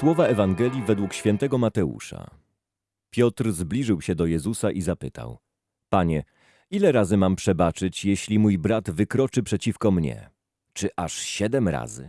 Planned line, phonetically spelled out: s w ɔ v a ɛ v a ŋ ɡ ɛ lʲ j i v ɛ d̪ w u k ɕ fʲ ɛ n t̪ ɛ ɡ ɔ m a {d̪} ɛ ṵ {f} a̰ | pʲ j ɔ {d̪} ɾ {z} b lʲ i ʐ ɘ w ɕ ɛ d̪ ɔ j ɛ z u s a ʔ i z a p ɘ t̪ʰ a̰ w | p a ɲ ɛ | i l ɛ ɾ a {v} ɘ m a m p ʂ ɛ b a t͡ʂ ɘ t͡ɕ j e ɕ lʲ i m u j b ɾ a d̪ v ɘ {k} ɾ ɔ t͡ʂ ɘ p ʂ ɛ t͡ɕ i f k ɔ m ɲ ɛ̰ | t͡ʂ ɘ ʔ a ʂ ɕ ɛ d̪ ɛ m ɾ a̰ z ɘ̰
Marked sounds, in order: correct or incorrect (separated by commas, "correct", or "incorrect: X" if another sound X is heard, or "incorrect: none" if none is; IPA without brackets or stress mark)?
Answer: incorrect: t̪, incorrect: ʂ, incorrect: t̪, correct, incorrect: z, correct